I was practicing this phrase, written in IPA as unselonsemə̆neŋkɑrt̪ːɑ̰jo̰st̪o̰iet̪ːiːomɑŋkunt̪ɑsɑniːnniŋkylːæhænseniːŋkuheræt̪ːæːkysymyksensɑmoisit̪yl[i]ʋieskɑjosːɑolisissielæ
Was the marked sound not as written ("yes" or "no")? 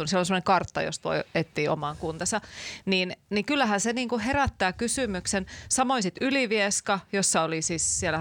no